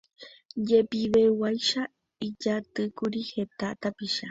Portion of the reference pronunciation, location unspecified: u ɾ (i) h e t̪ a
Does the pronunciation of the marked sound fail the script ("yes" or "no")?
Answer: no